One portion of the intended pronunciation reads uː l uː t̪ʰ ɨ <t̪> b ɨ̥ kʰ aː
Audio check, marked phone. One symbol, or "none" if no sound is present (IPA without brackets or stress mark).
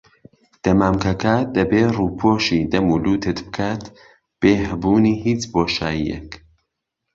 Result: t̪